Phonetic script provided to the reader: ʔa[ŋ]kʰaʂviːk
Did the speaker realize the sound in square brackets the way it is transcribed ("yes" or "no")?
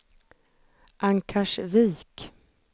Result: yes